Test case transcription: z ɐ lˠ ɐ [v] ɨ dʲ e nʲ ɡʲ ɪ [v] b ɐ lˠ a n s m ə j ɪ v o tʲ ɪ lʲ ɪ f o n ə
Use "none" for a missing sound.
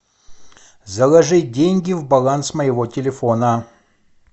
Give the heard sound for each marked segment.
ʐ, v

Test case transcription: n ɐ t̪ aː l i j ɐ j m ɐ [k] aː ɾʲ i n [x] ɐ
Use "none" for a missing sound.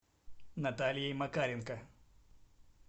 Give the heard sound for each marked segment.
k, k

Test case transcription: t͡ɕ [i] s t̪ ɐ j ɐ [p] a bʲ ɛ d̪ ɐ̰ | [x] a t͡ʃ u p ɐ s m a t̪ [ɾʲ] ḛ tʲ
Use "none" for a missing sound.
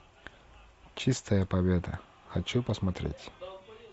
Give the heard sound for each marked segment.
i, p, x, ɾʲ

